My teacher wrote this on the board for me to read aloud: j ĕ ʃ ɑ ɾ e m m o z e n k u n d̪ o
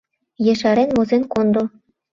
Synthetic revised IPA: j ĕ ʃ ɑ ɾ e n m o z e n k o n d̪ o